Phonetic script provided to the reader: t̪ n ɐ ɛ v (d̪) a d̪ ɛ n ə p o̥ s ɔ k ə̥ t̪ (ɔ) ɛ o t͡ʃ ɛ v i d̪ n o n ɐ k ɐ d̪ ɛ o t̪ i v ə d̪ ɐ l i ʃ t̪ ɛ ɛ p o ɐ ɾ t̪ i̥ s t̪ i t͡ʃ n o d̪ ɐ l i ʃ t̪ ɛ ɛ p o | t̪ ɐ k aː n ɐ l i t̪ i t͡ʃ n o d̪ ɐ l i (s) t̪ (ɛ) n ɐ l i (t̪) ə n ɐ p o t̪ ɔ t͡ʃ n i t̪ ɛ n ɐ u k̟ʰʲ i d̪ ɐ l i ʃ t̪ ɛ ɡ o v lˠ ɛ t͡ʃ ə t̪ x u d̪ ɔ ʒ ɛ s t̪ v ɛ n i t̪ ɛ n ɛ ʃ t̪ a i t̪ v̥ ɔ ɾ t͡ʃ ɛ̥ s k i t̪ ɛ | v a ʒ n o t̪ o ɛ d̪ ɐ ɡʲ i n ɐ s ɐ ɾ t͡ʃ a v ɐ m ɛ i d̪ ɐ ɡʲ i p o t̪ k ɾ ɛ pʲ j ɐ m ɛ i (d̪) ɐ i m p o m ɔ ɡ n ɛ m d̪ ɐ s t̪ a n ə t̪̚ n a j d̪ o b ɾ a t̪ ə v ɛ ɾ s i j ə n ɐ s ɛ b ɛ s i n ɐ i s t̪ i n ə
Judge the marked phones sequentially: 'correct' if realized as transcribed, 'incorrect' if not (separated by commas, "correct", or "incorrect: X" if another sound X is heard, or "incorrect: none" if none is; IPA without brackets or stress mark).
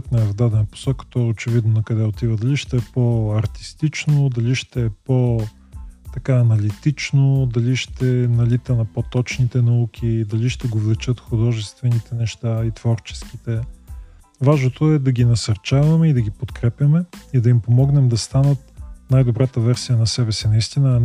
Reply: correct, correct, incorrect: ʃ, correct, correct, correct